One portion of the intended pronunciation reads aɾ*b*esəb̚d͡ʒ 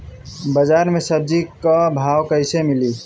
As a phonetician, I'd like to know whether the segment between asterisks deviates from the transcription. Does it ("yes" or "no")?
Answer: yes